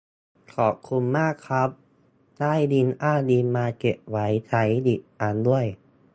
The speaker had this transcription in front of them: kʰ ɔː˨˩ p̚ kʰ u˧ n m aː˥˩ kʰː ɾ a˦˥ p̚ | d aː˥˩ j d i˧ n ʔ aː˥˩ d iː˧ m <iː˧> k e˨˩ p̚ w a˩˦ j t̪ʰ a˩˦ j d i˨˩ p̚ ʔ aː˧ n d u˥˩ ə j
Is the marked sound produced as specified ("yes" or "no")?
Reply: no